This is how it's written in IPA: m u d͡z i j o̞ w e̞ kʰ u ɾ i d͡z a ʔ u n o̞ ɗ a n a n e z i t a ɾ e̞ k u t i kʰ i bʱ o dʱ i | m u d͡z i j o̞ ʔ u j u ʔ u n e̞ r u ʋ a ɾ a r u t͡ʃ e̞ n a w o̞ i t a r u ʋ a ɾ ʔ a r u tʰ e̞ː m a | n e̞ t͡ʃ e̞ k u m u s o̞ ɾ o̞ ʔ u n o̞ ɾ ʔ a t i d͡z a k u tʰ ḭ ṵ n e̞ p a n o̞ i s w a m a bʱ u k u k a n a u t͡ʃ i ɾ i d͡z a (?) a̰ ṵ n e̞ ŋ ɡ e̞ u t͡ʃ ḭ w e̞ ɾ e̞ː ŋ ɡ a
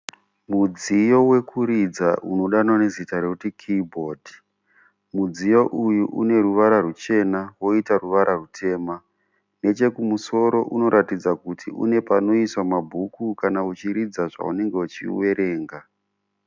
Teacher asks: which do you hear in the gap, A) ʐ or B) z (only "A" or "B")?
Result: A